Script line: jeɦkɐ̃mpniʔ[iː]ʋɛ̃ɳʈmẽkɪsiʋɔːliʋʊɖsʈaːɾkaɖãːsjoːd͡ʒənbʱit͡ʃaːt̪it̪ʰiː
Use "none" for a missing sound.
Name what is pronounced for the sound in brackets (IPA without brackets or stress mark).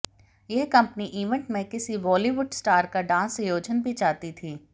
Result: iː